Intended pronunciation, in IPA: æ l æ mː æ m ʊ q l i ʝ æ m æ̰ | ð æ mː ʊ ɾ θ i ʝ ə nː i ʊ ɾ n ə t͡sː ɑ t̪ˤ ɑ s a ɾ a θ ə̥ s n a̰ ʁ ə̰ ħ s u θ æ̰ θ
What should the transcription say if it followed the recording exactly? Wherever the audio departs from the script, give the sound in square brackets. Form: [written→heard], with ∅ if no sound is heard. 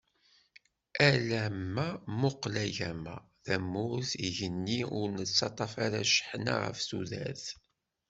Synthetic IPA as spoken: æ l æ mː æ m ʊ q l [i→æ] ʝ æ m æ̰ | ð æ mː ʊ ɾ θ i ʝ ə nː i ʊ ɾ n ə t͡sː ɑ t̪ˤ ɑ [s→f] a ɾ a [θ→ʃ] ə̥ [s→ħ] n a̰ ʁ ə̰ [ħ→f] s u [θ→ð] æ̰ θ